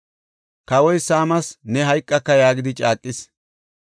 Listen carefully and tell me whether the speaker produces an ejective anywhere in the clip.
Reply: yes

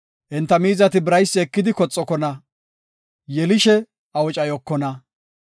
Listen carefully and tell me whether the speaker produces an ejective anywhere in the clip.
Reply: yes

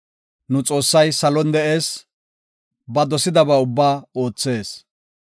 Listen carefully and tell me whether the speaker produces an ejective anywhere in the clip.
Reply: yes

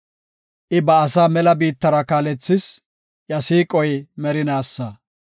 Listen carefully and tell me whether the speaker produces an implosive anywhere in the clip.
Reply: no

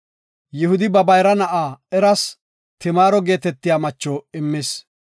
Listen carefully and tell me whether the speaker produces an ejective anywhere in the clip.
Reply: no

